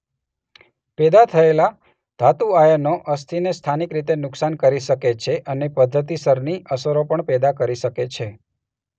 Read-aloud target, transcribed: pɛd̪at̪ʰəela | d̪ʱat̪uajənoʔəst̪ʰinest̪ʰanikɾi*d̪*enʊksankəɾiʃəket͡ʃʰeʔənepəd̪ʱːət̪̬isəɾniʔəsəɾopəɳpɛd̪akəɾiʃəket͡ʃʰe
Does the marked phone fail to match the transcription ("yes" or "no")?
yes